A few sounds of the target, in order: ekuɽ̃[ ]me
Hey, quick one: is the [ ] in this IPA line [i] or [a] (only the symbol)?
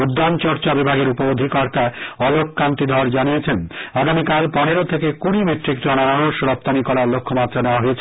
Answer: i